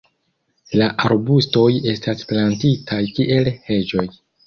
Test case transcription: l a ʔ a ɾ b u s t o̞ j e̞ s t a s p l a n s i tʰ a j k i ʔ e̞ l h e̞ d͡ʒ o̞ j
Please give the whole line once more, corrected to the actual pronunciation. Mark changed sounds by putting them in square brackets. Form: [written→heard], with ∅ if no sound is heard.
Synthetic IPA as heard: l a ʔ a ɾ b u s t o̞ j e̞ s t a s p l a n [s→t] i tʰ a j k i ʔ e̞ l h e̞ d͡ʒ o̞ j